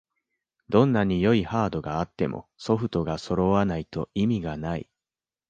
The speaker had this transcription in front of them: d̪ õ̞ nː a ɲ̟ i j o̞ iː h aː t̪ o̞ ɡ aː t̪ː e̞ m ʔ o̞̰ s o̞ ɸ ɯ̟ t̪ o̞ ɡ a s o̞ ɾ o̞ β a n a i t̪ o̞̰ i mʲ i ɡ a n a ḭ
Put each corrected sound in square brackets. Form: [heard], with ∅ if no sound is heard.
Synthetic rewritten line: d̪ õ̞ nː a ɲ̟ i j o̞ [i] h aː [d̪] o̞ ɡ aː t̪ː e̞ m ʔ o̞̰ s o̞ ɸ ɯ̟ t̪ o̞ ɡ a s o̞ ɾ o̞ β a n a i t̪ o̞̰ i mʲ i ɡ a n a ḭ